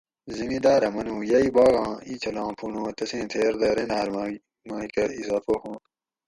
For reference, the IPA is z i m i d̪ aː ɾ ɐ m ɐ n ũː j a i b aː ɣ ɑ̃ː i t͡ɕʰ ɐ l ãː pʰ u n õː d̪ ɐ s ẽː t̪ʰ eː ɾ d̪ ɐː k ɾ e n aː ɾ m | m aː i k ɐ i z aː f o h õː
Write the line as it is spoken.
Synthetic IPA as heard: z i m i d̪ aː ɾ ɐ m ɐ n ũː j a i b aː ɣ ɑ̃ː i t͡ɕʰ ɐ l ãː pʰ u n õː t̪ ɐ s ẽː t̪ʰ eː ɾ d̪ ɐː ɾ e n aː ɾ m | m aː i k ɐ i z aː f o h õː